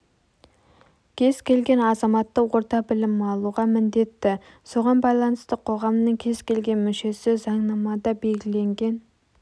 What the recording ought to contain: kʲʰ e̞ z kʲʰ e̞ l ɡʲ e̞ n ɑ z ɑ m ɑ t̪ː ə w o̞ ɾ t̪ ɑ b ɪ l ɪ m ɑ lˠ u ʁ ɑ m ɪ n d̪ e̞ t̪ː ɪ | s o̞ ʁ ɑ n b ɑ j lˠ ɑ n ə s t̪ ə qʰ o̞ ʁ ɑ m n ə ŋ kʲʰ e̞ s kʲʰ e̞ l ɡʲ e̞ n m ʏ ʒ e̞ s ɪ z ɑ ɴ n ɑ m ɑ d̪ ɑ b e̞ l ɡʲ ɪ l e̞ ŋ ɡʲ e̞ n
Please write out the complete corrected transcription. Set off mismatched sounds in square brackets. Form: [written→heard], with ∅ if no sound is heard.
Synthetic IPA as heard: kʲʰ e̞ z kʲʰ e̞ l ɡʲ e̞ n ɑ z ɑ m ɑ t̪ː ə w o̞ ɾ t̪ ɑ b ɪ l ɪ m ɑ lˠ u ʁ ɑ m ɪ n d̪ e̞ t̪ː ɪ | s o̞ ʁ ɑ n b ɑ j lˠ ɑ n ə s t̪ ə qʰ o̞ ʁ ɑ m n ə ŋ kʲʰ e̞ [s→z] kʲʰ e̞ l ɡʲ e̞ n m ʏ [ʒ→ʃ] e̞ s ɪ z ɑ ɴ n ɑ m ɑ d̪ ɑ b e̞ l ɡʲ ɪ l e̞ ŋ ɡʲ e̞ n